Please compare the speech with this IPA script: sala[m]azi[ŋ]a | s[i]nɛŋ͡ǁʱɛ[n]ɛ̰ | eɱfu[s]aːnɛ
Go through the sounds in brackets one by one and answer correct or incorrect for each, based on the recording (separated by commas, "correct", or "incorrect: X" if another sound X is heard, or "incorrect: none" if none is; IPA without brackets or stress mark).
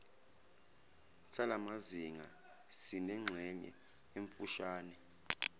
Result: correct, correct, correct, incorrect: ɲ, incorrect: ʃ